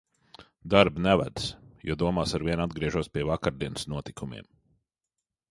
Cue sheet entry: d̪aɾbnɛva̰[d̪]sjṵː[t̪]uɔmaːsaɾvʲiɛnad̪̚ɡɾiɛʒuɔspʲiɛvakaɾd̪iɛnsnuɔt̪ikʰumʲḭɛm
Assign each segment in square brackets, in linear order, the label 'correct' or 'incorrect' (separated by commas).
correct, incorrect